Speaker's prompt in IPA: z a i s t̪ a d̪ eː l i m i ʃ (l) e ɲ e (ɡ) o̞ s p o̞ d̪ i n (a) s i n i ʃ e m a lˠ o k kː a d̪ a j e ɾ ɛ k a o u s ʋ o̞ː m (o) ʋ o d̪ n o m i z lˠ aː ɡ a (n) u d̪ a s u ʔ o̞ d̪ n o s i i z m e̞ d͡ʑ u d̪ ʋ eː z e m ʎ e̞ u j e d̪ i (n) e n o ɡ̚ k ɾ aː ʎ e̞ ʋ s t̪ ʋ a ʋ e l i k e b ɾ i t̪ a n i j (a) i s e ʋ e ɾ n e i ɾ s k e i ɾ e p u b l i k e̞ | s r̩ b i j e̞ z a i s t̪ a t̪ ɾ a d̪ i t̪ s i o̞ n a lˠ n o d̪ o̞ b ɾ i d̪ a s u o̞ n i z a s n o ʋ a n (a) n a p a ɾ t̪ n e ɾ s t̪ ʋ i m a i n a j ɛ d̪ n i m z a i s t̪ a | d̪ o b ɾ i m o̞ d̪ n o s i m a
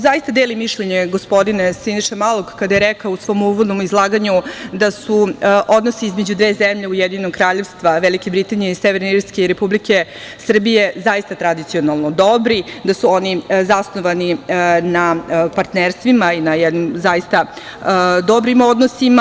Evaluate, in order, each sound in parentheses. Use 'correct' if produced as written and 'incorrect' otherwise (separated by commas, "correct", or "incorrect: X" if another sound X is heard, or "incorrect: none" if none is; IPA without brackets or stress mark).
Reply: incorrect: ʎ, correct, incorrect: e, incorrect: u, incorrect: ɲ, incorrect: ɲ, incorrect: e, incorrect: i